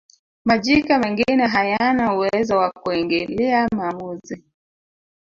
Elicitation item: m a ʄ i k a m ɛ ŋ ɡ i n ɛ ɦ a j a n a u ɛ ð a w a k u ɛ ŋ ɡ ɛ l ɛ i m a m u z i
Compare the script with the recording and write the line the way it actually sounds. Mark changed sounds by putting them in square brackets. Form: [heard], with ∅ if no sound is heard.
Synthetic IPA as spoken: m a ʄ i k a m ɛ ŋ ɡ i n ɛ ɦ a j a n a u ɛ [z] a w a k u ɛ ŋ ɡ ɛ l ɛ [a] m a m u z i